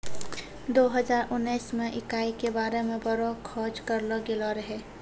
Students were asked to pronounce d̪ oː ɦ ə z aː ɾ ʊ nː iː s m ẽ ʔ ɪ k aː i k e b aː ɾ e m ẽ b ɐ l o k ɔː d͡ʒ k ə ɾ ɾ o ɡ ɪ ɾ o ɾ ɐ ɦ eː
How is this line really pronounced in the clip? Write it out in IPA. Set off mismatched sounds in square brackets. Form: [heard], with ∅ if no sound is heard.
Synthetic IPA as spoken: d̪ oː ɦ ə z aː ɾ ʊ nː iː s m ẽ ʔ ɪ k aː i k e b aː ɾ e m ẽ b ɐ [ɾ] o [kʰ] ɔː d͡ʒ k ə ɾ [l] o ɡ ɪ [l] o ɾ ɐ ɦ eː